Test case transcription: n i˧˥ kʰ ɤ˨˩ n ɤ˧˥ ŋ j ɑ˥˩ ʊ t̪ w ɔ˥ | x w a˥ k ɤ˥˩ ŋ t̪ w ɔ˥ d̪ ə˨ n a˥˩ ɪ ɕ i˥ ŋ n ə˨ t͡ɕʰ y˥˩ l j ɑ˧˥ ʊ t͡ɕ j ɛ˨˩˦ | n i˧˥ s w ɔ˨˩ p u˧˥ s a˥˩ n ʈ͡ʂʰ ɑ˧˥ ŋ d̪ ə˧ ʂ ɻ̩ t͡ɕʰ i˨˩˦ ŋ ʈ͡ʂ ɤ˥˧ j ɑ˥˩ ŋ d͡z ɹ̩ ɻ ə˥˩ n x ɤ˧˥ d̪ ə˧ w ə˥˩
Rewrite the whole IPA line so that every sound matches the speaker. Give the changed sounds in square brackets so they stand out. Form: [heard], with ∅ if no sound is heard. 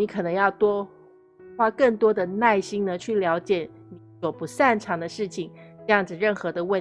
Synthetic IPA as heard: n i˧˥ kʰ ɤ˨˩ n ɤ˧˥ ŋ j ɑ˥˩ ʊ t̪ w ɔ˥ | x w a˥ k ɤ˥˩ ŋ t̪ w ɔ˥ d̪ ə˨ n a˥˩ ɪ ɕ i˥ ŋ n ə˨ t͡ɕʰ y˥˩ l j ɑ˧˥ ʊ t͡ɕ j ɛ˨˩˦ | n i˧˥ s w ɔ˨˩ p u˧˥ s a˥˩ n ʈ͡ʂʰ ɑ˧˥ ŋ d̪ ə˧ ʂ ɻ̩ t͡ɕʰ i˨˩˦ ŋ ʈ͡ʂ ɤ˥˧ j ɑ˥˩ ŋ d͡z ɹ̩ ɻ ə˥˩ n x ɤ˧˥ d̪ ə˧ w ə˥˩